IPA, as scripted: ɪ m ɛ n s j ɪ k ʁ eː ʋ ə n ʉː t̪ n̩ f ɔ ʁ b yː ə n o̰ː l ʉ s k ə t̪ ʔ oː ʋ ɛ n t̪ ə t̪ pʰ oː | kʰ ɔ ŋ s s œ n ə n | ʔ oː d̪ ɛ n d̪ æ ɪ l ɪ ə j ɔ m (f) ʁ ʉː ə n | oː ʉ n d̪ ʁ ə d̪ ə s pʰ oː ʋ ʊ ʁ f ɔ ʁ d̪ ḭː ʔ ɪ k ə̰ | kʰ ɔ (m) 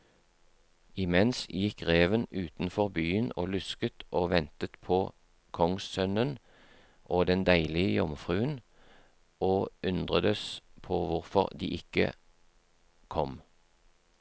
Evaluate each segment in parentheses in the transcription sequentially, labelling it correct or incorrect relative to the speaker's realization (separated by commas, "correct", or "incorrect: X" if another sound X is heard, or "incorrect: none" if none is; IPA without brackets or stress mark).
correct, correct